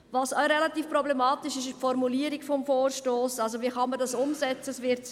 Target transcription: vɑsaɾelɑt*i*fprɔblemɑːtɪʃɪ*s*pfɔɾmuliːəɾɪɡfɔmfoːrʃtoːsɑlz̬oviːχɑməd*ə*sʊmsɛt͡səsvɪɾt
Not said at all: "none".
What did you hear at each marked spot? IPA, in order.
iː, ʃ, ɑ

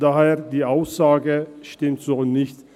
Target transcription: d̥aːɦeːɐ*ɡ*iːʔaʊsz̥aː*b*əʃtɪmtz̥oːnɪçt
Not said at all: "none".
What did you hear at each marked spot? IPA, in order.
d, ɡ

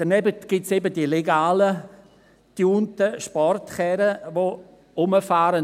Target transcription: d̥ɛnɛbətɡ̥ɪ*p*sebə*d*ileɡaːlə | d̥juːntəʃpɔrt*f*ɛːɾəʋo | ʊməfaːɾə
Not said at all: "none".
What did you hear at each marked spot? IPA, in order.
t, d, χ

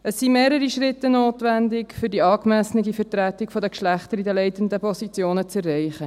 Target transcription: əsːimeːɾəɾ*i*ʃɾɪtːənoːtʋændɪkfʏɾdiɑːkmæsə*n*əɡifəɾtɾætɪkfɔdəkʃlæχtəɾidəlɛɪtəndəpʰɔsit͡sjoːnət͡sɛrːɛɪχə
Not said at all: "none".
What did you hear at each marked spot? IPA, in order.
i, n

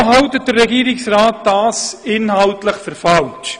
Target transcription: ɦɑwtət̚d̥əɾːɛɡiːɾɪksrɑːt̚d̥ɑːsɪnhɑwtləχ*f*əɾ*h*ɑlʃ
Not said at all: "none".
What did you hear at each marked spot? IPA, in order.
f, f

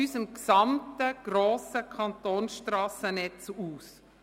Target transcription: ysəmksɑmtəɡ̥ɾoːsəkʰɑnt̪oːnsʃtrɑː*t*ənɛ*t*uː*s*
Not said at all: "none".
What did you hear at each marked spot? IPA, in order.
s, t͡s, s

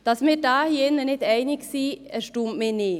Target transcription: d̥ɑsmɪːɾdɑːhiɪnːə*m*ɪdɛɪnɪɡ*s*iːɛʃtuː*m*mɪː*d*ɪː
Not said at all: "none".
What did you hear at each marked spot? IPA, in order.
n, s, m, n

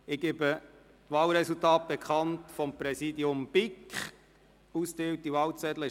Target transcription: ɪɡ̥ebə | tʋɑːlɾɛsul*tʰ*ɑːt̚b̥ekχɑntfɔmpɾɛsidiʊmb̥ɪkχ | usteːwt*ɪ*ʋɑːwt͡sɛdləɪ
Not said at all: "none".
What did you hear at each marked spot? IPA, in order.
t, i

